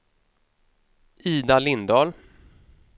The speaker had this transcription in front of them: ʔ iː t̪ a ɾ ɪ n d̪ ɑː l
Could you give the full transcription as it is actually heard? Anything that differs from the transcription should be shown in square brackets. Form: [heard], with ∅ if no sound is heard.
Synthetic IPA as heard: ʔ iː [d̪] a [l] ɪ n d̪ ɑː l